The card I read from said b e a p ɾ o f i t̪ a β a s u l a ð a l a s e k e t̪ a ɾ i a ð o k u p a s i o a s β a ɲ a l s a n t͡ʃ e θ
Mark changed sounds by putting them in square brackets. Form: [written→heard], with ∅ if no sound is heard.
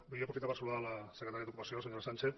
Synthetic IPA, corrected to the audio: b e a p ɾ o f i t̪ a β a s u l a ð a l a s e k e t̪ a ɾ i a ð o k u p a s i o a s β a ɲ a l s a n t͡ʃ e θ

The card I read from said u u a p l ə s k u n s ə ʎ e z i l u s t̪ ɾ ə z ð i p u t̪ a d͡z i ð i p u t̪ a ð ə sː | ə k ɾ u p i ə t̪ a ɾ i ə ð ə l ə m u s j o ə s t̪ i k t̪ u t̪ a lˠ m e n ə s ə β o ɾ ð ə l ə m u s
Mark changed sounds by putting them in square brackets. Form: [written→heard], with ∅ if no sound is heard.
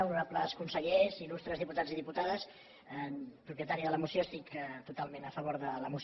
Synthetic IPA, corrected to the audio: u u a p l ə s k u n s ə ʎ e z i l u s t̪ ɾ ə z ð i p u t̪ a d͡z i ð i p u t̪ a ð ə [sː→s] | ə [k→p] ɾ u p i ə t̪ a ɾ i ə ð ə l ə m u s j o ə s t̪ i k t̪ u t̪ a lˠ m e n ə [s→f] ə β o ɾ ð ə l ə m u s

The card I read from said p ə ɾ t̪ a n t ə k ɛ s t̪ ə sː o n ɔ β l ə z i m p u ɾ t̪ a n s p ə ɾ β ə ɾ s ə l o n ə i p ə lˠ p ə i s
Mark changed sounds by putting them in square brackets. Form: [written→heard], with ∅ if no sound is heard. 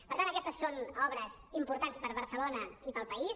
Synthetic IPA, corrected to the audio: p ə ɾ t̪ a n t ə k ɛ s t̪ ə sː o n ɔ β [l→ɾ] ə z i m p u ɾ t̪ a n s p ə ɾ β ə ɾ s ə l o n ə i p ə lˠ p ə i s

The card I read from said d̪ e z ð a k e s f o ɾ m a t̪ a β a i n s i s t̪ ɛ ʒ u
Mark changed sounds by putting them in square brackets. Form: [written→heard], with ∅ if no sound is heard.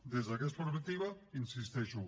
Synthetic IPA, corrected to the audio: d̪ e z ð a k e s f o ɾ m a t̪ [a→i] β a i n s i s t̪ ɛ [ʒ→ʃ] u

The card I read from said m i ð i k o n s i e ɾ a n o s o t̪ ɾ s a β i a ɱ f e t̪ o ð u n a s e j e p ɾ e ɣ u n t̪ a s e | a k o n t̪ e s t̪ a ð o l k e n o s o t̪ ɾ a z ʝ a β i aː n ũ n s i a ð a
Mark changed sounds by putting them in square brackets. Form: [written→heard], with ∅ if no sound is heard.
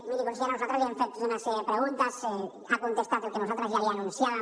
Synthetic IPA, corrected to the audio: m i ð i k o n s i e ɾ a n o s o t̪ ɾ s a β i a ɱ f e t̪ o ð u n a s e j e p ɾ e ɣ u n t̪ a s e | a k o n t̪ e s t̪ a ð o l k e n o s o t̪ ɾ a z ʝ a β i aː n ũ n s [i→j] a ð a

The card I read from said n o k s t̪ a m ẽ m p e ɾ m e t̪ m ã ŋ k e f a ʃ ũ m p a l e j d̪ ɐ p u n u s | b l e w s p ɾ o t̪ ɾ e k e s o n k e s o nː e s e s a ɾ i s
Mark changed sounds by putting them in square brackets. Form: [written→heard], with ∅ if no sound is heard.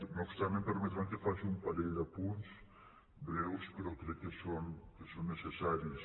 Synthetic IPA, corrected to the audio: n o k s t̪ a m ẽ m p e ɾ m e t̪ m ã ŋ k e f a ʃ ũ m p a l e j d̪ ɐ p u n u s | b [l→ɾ] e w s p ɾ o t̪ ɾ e k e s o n k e s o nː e s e s a ɾ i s

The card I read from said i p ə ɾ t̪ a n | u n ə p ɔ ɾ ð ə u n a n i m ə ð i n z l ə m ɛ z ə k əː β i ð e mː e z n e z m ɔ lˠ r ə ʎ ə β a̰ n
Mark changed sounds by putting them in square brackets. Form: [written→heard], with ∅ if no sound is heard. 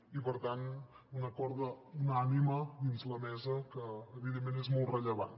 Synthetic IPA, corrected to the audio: i p ə ɾ t̪ a n | u n ə [p→k] ɔ ɾ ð ə u n a n i m ə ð i n z l ə m ɛ z ə k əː β i ð e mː e [z→∅] n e z m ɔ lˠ r ə ʎ ə β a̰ n

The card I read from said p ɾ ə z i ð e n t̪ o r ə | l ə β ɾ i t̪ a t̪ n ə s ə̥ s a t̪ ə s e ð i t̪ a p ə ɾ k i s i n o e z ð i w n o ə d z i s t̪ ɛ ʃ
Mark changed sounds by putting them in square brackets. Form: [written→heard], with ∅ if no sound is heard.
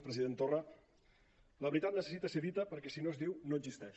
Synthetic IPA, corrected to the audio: p ɾ ə z i ð e n t̪ o r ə | l ə β ɾ i t̪ a t̪ n ə s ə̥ s [a→i] t̪ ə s e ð i t̪ [a→ə] p ə ɾ k [i→ɛ] s i n o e z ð i w n o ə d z i s t̪ ɛ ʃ

